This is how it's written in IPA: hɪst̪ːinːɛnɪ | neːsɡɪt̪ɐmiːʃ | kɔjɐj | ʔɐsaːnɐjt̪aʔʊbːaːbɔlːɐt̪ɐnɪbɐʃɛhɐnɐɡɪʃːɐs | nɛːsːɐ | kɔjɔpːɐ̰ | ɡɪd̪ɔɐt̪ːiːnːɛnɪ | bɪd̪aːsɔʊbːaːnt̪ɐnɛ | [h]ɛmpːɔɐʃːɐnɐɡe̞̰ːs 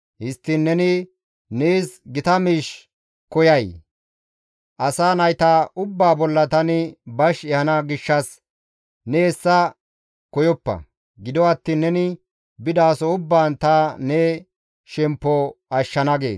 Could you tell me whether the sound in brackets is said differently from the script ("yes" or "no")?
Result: yes